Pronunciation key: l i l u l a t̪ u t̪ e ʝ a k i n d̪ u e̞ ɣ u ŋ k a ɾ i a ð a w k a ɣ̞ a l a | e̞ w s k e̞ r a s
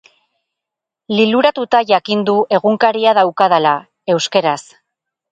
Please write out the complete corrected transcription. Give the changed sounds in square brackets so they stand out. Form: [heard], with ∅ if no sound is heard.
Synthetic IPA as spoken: l i l u [ɾ] a t̪ u t̪ [a] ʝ a k i n d̪ u e̞ ɣ u ŋ k a ɾ i a ð a w k a [ð̞] a l a | e̞ w s k e̞ [ɾ] a s